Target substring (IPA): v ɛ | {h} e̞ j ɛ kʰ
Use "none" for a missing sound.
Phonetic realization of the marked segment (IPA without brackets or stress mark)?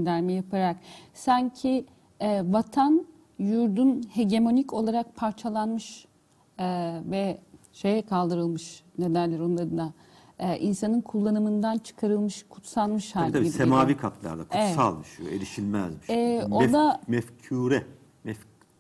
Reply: ʃ